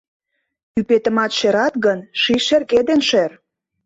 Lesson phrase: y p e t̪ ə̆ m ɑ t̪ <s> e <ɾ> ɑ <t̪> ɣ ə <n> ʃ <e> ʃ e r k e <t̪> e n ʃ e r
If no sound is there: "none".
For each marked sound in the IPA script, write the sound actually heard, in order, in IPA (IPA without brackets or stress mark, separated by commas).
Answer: ʃ, ɾ, t̪, n, i, d̪